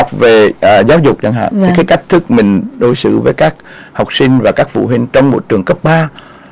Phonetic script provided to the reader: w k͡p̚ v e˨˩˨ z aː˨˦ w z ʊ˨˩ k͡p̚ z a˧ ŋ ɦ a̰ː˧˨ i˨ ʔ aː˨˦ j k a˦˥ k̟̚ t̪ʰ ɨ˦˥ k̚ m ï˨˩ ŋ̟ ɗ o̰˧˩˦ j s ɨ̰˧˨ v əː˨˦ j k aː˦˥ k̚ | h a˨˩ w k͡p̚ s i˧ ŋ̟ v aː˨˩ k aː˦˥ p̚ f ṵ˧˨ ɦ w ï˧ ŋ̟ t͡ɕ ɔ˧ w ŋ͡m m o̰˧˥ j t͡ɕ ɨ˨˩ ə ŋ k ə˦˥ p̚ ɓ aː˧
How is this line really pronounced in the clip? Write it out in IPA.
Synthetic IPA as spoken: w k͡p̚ v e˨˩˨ z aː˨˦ w z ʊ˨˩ k͡p̚ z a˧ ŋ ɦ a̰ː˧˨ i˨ k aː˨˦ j k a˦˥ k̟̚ t̪ʰ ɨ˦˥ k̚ m ï˨˩ ŋ̟ ɗ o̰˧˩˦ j s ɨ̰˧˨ v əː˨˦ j k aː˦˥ k̚ | h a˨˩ w k͡p̚ s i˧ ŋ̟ v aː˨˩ k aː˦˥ k̚ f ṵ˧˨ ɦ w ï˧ ŋ̟ t͡ɕ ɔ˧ w ŋ͡m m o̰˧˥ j t͡ɕ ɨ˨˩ ə ŋ k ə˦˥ p̚ ɓ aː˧

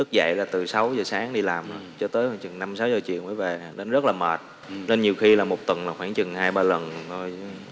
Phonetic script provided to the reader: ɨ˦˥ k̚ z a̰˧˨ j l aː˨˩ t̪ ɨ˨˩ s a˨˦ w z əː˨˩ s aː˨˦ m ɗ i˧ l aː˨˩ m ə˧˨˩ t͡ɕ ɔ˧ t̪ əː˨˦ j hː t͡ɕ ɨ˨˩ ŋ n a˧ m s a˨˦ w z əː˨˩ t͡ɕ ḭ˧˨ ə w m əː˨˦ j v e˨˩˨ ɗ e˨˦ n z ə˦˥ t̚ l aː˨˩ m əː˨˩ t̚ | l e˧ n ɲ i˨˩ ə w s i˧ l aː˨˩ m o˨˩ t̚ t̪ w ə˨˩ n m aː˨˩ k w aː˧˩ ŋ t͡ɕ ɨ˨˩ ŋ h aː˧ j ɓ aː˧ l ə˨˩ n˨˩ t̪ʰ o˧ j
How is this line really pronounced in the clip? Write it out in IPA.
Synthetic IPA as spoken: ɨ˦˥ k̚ z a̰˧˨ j l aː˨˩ t̪ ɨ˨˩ s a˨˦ w z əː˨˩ s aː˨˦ ŋ ɗ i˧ l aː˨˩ m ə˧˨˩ t͡ɕ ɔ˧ t̪ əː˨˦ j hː t͡ɕ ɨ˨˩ ŋ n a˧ m s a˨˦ w z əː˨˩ t͡ɕ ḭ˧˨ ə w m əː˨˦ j v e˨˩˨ ɗ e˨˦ n z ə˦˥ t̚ l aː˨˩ m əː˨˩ t̚ | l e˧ n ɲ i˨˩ ə w x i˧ l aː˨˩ m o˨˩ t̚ t̪ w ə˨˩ n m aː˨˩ x w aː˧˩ ŋ t͡ɕ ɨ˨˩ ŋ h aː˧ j ɓ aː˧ l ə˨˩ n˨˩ t̪ʰ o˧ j

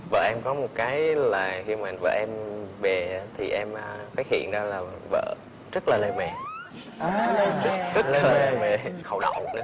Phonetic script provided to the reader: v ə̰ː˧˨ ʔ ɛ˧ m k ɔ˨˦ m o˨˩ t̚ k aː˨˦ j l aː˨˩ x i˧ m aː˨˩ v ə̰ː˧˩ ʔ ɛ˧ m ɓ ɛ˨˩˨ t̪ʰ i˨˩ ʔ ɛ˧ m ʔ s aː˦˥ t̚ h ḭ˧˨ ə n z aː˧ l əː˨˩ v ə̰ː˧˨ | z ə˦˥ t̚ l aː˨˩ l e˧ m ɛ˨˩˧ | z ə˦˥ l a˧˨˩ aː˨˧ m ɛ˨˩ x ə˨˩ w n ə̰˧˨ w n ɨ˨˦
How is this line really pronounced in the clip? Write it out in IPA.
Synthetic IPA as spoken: v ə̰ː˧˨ ʔ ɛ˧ m k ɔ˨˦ m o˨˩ t̚ k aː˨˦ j l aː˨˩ x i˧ m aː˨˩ v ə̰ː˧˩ ʔ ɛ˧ m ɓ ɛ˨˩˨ t̪ʰ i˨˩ ʔ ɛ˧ m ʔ f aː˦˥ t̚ h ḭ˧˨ ə n z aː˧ l aː˨˩ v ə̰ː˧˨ | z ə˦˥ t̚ l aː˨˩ l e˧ m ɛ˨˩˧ | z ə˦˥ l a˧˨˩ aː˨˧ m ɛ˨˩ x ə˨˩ w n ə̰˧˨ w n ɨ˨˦

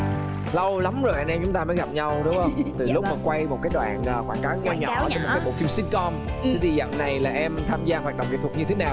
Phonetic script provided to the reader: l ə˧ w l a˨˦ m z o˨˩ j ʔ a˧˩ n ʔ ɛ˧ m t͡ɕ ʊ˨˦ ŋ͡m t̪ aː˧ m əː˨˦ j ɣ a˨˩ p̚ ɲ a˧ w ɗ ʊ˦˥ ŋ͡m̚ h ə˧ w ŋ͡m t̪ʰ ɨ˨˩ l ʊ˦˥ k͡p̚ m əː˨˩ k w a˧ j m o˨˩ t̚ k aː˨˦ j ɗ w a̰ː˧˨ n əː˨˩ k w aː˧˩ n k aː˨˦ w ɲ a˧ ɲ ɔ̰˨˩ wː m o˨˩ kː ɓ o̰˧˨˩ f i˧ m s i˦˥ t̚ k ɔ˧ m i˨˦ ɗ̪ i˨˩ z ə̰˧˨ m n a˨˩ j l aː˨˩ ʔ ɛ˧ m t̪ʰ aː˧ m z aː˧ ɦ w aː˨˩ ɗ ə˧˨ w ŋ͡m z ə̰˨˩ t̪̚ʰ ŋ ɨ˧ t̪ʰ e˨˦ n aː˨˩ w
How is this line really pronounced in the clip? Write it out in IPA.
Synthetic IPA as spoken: l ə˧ w l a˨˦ m z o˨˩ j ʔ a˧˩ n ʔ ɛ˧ m t͡ɕ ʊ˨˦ ŋ͡m t̪ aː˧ m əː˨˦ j ɣ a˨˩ p̚ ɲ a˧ w ɗ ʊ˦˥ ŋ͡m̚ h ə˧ w ŋ͡m t̪ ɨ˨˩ l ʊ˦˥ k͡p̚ m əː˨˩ k w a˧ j m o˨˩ t̚ k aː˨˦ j ɗ w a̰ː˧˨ n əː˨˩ k w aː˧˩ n k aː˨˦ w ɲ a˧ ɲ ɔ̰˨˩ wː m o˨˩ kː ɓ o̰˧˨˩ f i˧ m s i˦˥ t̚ k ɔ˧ m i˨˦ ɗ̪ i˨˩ z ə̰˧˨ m n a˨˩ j l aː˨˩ ʔ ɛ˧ m t̪ʰ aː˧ m z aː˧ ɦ w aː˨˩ ɗ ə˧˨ w ŋ͡m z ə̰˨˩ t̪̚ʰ ɲ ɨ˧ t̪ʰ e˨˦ n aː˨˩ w

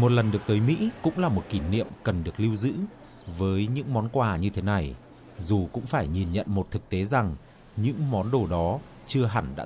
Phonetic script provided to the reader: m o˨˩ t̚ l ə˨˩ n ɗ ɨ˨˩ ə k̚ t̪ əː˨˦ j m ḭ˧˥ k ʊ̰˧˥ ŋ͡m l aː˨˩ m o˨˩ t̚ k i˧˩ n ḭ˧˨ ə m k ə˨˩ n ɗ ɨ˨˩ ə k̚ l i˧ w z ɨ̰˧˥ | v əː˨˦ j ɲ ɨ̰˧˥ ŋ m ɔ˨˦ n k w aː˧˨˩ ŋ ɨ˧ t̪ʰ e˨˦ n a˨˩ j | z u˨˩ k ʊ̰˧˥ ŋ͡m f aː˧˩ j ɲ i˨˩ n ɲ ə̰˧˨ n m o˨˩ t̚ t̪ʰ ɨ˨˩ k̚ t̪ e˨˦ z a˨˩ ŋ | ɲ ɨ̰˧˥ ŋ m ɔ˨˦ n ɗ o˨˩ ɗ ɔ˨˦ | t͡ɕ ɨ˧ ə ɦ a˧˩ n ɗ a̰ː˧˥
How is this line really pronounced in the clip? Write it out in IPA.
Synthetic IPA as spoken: m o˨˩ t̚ l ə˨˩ n ɗ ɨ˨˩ ə k̚ t̪ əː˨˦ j m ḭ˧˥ k ʊ̰˧˥ ŋ͡m l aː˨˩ m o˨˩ t̚ k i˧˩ n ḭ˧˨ ə m k ə˨˩ n ɗ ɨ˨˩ ə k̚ l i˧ w z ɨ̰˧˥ | v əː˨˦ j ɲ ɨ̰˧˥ ŋ m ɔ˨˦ n k w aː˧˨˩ ɲ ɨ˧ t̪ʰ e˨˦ n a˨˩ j | z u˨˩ k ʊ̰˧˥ ŋ͡m f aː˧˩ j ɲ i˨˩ n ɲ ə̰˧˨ n m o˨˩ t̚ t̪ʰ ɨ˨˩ k̚ t̪ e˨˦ z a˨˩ ŋ | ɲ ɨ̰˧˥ ŋ m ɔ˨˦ n ɗ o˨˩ ɗ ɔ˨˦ | t͡ɕ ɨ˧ ə ɦ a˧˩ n ɗ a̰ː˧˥

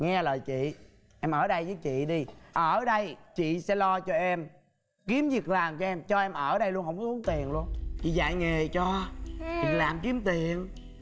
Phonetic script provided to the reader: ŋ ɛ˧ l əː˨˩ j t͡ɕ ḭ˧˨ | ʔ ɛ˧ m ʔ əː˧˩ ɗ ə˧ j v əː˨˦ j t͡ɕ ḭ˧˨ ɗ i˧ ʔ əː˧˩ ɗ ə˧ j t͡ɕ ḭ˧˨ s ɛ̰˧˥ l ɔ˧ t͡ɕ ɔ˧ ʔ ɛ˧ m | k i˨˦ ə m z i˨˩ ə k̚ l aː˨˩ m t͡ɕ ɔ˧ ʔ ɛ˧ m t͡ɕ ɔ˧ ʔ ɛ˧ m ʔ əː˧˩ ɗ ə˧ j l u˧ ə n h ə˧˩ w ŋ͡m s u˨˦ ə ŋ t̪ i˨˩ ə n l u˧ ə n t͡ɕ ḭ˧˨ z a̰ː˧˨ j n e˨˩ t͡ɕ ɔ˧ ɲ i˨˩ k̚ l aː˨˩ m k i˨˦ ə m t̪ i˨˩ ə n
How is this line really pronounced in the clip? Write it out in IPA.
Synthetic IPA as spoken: ŋ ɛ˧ l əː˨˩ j t͡ɕ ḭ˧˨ | ʔ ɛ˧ m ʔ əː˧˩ ɗ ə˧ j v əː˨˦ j t͡ɕ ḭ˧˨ ɗ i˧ ʔ əː˧˩ ɗ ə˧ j t͡ɕ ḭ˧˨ s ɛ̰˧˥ l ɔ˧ t͡ɕ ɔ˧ ʔ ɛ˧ m | k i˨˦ ə m z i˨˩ ə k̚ l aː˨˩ m t͡ɕ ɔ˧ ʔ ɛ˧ m t͡ɕ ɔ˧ ʔ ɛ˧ m ʔ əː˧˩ ɗ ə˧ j l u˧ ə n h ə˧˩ w ŋ͡m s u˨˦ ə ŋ t̪ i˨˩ ə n l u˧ ə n t͡ɕ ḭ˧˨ z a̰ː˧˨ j ŋ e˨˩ t͡ɕ ɔ˧ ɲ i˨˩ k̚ l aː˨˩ m k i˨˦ ə m t̪ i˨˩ ə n

